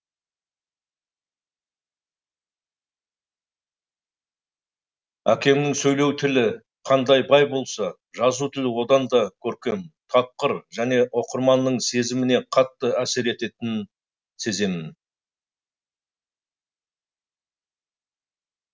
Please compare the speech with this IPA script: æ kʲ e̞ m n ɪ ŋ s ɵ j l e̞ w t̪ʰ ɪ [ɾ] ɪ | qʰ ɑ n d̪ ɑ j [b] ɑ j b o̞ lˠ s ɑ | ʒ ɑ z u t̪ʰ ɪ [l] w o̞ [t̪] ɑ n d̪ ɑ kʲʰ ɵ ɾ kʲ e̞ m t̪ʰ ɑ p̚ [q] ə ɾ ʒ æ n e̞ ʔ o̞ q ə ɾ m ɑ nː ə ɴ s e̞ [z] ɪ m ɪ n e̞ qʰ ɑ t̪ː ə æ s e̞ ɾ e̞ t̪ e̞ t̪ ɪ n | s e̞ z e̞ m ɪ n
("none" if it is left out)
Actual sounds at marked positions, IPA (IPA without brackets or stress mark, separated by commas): l, b, l, d̪, q, z